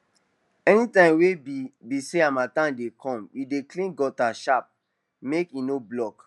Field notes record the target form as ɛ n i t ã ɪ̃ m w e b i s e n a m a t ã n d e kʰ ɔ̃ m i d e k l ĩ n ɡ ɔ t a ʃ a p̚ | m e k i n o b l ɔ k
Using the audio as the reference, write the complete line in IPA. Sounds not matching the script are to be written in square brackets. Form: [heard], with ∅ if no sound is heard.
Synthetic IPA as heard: ɛ n i t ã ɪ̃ m w e b i s e [∅] a m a t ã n d e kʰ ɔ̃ m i d e k l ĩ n ɡ ɔ t a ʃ a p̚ | m e k i n o b l ɔ k